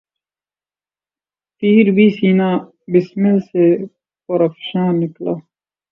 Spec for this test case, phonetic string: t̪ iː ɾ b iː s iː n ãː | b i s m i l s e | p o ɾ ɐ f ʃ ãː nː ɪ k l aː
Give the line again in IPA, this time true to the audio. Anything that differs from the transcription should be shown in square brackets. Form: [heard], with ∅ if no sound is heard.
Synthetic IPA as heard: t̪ iː ɾ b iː s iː n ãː | b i s m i l s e | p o ɾ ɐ f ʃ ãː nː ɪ k l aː